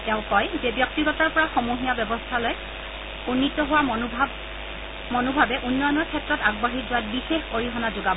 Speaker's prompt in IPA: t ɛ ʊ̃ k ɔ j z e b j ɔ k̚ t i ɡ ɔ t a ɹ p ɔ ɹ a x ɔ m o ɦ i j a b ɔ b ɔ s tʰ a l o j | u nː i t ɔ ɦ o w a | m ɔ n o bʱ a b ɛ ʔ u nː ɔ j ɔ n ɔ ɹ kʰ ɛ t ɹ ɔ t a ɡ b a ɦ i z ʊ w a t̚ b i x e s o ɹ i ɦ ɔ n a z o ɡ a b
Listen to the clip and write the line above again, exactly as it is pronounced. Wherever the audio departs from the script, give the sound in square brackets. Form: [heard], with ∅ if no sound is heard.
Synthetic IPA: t ɛ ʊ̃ k ɔ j z e b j ɔ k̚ t i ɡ ɔ t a ɹ p ɔ ɹ a x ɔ m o ɦ i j a b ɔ b ɔ s tʰ a l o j | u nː i t ɔ ɦ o w a | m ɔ n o bʱ a b ɛ ʔ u nː ɔ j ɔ n ɔ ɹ kʰ ɛ t ɹ ɔ t a ɡ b a ɦ i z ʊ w a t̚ b i x e [x] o ɹ i ɦ ɔ n a z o ɡ a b